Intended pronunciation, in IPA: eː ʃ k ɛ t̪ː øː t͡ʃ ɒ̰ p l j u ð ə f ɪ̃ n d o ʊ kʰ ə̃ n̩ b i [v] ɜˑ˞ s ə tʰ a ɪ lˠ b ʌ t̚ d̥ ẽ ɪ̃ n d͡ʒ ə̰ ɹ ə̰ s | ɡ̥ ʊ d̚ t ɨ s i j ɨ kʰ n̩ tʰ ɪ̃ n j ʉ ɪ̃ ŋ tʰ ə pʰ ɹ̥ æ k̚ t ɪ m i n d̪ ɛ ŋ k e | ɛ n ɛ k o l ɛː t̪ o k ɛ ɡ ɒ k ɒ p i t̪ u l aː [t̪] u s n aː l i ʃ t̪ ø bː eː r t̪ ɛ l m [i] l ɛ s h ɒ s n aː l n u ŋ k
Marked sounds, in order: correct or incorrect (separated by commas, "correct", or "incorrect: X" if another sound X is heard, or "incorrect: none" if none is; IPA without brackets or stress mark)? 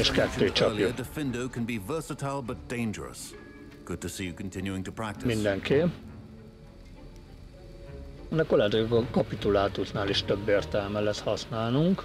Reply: correct, correct, incorrect: ɛ